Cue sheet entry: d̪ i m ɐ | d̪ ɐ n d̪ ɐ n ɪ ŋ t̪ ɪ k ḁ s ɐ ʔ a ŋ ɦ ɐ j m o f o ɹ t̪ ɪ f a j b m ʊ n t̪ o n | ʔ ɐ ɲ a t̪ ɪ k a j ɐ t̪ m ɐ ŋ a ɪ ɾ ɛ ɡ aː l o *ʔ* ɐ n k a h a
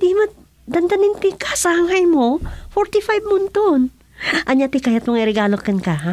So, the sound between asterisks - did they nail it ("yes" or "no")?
no